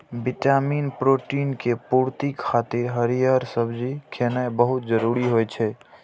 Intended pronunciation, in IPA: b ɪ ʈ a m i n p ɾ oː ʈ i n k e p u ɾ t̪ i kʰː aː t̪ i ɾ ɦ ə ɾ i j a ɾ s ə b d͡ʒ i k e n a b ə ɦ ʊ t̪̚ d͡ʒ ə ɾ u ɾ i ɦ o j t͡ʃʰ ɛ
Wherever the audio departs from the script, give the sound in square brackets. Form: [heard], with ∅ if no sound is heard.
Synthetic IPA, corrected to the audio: b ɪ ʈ a m i n p ɾ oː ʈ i n k e p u ɾ t̪ i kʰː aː t̪ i ɾ ɦ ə ɾ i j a ɾ s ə b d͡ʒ i [kʰ] e n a b ə ɦ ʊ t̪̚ d͡ʒ ə ɾ u ɾ i ɦ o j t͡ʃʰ ɛ